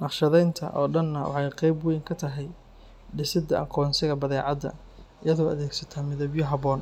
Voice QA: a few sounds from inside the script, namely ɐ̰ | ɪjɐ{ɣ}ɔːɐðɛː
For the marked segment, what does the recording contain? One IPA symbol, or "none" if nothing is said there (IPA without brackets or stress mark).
ð